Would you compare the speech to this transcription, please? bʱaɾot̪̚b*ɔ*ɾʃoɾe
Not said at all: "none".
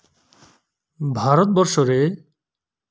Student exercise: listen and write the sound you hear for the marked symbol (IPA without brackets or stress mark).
ɔ